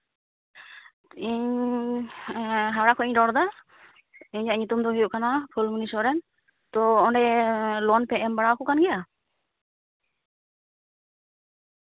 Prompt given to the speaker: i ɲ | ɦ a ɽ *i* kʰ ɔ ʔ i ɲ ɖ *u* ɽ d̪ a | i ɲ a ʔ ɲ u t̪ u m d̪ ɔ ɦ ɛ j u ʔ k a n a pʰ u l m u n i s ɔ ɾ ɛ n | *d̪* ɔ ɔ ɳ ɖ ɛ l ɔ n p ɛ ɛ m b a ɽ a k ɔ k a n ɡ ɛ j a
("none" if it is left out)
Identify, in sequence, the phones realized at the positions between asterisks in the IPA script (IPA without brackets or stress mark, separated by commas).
a, ɔ, t̪